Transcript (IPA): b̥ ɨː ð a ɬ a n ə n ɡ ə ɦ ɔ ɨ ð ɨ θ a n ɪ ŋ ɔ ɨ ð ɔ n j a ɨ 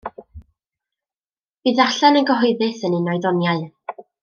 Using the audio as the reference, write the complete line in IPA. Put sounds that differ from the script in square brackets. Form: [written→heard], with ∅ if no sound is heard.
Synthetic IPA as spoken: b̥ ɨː ð a ɬ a n ə n ɡ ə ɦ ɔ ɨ ð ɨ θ [a→ə] n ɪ [ŋ→n] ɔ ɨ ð ɔ n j a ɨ